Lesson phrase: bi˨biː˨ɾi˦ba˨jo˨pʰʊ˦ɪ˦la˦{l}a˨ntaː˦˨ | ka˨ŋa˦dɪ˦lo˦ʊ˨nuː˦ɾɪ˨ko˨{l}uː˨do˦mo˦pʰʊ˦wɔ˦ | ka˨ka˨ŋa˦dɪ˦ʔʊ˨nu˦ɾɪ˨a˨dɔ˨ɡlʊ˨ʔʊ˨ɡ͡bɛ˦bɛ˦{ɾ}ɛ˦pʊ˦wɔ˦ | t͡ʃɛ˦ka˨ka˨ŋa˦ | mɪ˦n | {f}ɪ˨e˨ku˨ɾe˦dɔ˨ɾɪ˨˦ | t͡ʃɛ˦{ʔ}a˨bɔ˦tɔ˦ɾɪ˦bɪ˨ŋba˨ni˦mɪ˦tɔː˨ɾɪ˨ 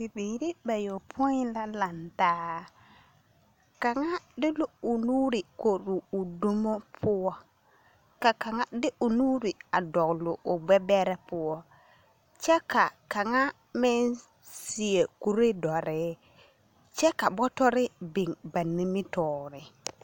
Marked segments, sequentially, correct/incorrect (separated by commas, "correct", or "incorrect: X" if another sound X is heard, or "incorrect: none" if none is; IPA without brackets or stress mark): correct, incorrect: ɾ, correct, incorrect: s, incorrect: k